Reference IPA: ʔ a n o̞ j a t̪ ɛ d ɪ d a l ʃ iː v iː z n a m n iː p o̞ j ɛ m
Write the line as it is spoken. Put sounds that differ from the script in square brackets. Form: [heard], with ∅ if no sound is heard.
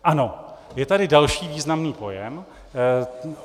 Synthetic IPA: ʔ a n o̞ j [ɛ] t̪ [a] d ɪ d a l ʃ iː v iː z n a m n iː p o̞ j ɛ m